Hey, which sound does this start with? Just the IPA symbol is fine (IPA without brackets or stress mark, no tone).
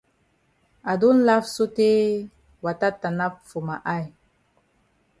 a